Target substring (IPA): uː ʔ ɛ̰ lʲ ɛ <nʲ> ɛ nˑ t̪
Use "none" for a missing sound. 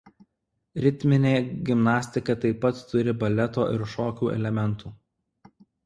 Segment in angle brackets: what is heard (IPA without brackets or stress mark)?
mʲ